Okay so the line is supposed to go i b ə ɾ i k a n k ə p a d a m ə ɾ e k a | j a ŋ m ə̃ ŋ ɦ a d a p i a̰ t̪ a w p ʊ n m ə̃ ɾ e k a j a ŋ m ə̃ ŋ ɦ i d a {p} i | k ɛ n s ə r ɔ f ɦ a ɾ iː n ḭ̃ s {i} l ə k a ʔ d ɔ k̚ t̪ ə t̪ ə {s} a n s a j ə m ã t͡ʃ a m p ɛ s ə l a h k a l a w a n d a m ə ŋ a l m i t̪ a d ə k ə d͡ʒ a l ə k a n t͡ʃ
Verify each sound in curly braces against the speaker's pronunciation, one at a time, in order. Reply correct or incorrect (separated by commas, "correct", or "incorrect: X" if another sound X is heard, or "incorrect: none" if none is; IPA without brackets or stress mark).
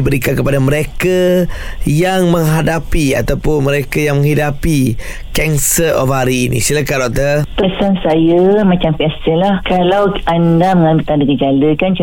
correct, correct, correct